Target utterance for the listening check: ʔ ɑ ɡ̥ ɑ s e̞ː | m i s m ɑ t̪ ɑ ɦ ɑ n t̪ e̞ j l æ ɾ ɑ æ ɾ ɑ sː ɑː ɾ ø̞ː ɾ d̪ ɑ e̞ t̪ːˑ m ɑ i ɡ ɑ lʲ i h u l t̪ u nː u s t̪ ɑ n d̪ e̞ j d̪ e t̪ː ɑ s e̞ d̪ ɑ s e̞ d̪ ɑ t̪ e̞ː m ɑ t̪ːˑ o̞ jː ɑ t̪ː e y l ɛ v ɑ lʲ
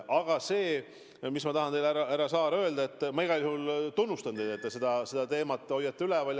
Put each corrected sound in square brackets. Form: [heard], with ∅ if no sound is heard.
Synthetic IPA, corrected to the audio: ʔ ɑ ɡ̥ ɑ s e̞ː | m i s m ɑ t̪ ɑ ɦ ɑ n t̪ e̞ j l æ ɾ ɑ æ ɾ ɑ [s] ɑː ɾ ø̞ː [l] d̪ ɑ e̞ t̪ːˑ m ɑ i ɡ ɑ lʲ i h u l t̪ u nː u s t̪ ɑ n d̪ e̞ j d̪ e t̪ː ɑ s e̞ d̪ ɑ s e̞ d̪ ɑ t̪ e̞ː m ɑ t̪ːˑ o̞ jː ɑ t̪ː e y l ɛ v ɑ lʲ